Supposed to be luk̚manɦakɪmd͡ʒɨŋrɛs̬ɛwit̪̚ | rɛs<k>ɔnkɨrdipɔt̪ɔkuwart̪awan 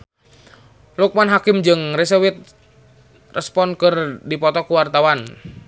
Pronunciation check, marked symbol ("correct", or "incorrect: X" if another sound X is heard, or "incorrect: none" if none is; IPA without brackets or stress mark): incorrect: p